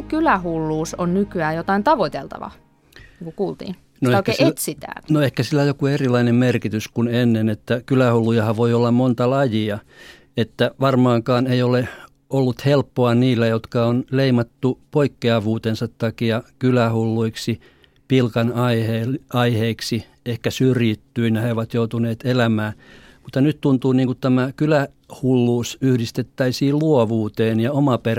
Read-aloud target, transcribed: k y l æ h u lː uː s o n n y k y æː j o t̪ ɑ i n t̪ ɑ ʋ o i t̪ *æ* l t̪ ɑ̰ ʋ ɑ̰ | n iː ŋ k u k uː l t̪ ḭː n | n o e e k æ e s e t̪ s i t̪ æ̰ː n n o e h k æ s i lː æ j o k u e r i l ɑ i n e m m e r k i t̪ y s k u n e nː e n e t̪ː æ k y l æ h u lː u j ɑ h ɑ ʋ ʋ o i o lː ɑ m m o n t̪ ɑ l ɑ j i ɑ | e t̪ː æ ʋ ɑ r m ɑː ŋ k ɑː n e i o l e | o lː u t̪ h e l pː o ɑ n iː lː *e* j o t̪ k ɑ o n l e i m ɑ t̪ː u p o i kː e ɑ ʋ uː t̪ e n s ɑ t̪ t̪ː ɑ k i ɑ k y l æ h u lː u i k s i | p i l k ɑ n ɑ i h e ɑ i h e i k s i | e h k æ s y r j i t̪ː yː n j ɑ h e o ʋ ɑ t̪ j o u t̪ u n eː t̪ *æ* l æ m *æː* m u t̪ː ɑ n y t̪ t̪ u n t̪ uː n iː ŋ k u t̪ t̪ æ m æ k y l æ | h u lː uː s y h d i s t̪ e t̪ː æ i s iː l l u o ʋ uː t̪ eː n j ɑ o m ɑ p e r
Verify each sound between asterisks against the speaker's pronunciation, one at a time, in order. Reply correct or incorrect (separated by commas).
incorrect, incorrect, incorrect, correct